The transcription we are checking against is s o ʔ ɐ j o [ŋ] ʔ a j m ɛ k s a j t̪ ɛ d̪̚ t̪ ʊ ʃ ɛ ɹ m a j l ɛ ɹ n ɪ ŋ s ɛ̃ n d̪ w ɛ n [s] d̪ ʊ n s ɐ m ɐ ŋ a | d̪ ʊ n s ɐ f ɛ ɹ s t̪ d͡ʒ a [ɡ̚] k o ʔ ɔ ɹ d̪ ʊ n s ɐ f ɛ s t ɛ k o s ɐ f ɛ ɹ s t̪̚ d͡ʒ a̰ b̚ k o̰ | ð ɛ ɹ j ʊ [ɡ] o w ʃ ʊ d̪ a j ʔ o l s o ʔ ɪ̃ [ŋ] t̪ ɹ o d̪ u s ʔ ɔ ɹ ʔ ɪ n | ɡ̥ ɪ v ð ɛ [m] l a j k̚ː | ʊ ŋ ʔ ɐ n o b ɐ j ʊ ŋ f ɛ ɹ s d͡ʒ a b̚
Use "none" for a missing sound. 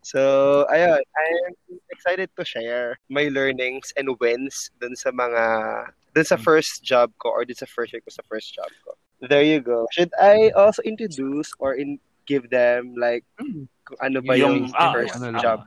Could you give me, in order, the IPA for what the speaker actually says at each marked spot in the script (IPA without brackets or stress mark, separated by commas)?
n, s, b̚, ɡ, n, m